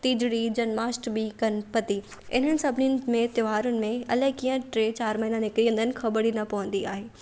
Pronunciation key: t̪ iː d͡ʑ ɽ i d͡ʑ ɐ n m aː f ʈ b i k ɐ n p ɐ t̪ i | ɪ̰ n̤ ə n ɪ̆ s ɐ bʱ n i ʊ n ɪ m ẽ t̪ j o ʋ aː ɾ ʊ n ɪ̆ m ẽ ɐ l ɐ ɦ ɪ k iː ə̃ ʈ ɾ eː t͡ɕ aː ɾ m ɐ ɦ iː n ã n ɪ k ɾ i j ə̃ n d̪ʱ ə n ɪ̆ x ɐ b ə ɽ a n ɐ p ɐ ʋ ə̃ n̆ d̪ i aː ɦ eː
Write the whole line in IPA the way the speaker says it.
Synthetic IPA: t̪ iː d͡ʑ ɽ i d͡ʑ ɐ n m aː s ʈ b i k ɐ n p ɐ t̪ i | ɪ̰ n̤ ə n ɪ̆ s ɐ bʱ n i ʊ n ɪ m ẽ t̪ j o ʋ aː ɾ ʊ n ɪ̆ m ẽ ɐ l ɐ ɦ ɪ k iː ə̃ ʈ ɾ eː t͡ɕ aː ɾ m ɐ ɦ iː n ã n ɪ k ɾ i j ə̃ n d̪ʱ ə n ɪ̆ x ɐ b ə ɽ i n ɐ p ɐ ʋ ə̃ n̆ d̪ i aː ɦ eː